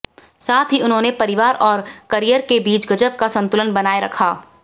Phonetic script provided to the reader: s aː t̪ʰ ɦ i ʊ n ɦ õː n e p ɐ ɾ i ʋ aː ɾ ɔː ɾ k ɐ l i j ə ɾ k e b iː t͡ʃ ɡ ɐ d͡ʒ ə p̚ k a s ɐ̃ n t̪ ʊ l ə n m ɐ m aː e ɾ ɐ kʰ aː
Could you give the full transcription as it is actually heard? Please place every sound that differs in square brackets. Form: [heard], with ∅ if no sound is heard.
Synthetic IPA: s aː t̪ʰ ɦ i ʊ n ɦ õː n e p ɐ ɾ [ɪ] ʋ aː ɾ ɔː ɾ k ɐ [ɾ] i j ə ɾ k e b iː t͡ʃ ɡ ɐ d͡ʒ ə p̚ k a s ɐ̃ n t̪ ʊ l ə n [b] ɐ [n] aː e ɾ ɐ kʰ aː